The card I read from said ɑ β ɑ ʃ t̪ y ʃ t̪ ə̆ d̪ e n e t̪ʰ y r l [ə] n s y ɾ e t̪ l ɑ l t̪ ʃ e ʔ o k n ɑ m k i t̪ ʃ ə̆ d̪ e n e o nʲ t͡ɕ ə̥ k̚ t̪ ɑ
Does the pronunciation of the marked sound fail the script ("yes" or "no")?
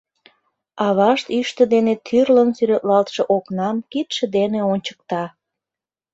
no